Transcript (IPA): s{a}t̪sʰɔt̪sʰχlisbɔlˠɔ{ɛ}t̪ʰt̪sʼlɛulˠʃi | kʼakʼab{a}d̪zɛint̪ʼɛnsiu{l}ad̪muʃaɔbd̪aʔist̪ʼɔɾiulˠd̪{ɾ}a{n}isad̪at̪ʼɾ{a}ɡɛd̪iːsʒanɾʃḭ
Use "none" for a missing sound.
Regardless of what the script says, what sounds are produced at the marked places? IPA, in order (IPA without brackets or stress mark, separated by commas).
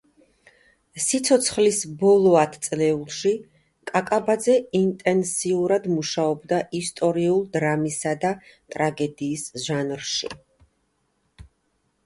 i, a, a, ɾ, ɾ, m, a